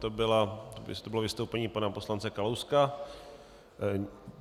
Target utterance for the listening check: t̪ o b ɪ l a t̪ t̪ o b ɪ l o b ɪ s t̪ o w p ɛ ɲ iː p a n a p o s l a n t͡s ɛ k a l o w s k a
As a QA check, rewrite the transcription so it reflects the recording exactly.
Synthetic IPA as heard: t̪ o b ɪ l a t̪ t̪ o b ɪ l o v ɪ s t̪ o w p ɛ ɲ iː p a n a p o s l a n t͡s ɛ k a l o w s k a

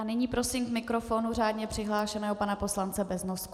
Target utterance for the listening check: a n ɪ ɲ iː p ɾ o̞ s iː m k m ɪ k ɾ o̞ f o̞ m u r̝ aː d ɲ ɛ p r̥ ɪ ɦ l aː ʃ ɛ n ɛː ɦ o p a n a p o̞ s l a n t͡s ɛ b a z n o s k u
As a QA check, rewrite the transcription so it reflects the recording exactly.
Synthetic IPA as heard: a n ɪ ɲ iː p ɾ o̞ s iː m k m ɪ k ɾ o̞ f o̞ n u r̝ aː d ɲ ɛ p r̥ ɪ ɦ l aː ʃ ɛ n ɛː ɦ o p a n a p o̞ s l a n t͡s ɛ b ɛ z n o s k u

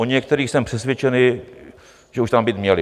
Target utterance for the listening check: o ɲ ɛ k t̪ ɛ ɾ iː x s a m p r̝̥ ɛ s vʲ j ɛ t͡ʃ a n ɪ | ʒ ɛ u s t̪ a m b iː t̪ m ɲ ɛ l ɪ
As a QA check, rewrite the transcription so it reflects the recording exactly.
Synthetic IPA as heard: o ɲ ɛ k t̪ ɛ ɾ iː x s ɛ m p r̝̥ ɛ s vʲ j ɛ t͡ʃ ɛ n ɪ | ʒ ɛ u ʃ t̪ a m b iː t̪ m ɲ ɛ l ɪ

